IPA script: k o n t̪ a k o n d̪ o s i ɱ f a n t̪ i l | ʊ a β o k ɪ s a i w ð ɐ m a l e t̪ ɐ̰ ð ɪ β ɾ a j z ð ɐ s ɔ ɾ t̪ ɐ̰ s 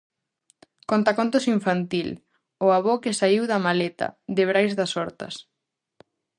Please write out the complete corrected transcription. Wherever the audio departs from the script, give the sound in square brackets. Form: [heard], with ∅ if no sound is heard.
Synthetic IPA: k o n t̪ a k o n [t̪] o s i ɱ f a n t̪ i l | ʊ a β o k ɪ s a i w ð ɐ m a l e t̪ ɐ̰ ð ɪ β ɾ a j z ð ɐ s ɔ ɾ t̪ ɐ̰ s